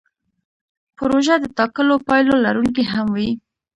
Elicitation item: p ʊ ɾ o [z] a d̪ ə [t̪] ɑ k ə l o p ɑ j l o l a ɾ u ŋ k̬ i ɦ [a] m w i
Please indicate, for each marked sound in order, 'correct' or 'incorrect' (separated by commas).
incorrect, correct, correct